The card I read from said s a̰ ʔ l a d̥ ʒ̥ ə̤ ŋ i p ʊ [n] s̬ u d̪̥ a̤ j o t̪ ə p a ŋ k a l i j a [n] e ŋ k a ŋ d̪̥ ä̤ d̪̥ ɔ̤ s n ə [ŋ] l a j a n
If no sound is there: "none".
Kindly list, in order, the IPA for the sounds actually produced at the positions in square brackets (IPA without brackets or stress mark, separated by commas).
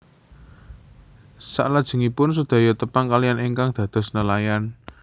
n, n, none